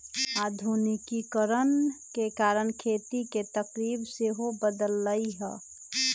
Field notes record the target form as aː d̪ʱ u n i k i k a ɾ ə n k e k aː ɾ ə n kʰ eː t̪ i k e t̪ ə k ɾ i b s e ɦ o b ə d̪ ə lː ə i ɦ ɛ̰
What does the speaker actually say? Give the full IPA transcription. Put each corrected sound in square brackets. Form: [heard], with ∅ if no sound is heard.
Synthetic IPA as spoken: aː d̪ʱ u n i k i k [ə] ɾ ə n k e k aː ɾ ə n kʰ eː t̪ i k e t̪ ə k ɾ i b s e ɦ o b ə d̪ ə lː ə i ɦ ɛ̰

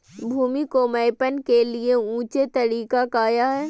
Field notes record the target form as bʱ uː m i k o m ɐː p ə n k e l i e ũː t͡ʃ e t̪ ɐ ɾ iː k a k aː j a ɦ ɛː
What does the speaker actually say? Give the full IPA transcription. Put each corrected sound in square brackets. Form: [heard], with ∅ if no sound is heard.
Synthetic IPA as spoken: bʱ uː m i k o m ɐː p ə n k e l i e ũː t͡ʃ e t̪ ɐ ɾ iː k a k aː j a ɦ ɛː

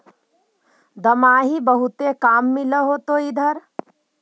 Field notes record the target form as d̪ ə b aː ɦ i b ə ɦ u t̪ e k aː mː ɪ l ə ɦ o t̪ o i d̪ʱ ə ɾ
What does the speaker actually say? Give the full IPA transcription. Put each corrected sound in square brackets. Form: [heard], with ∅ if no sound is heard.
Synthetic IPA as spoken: d̪ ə [m] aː ɦ i b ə ɦ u t̪ e k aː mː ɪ l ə ɦ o t̪ o i d̪ʱ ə ɾ

